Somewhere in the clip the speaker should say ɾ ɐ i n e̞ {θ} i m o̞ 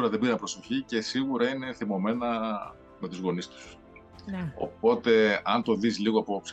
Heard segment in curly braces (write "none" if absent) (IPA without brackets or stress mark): θ